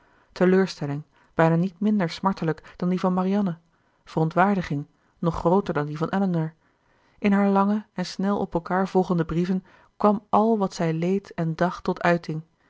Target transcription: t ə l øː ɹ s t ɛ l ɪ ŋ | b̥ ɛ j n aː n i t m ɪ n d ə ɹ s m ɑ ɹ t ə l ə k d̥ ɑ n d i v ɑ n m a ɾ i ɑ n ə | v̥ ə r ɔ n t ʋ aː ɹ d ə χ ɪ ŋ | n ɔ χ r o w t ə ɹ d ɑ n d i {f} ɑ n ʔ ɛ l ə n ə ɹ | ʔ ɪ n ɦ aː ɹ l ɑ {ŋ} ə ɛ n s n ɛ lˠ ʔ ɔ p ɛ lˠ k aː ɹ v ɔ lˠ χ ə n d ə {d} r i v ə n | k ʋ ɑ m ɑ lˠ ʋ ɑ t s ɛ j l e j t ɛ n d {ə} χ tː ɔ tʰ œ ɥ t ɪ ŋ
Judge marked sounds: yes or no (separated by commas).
no, yes, no, no